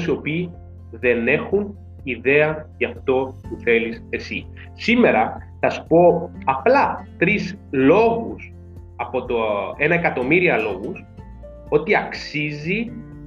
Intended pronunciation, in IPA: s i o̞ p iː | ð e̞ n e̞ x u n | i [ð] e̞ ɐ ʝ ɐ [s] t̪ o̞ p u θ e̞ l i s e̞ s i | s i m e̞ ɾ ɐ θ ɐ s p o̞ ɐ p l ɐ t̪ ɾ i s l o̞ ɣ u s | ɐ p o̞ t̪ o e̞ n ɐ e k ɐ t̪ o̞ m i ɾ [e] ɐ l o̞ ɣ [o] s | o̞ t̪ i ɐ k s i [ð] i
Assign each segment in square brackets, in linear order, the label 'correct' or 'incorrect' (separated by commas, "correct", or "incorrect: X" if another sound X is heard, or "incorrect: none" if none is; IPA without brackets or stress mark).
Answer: correct, incorrect: f, incorrect: i, incorrect: u, incorrect: z